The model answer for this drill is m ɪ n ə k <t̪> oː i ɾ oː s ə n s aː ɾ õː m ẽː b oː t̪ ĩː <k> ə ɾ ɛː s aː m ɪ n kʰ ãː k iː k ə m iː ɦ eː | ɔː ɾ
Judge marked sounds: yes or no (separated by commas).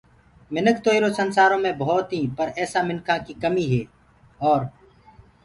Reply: yes, no